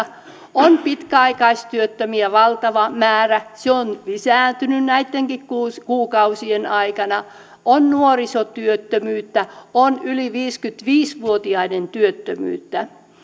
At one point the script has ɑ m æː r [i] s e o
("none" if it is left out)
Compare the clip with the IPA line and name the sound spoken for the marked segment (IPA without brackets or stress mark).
æ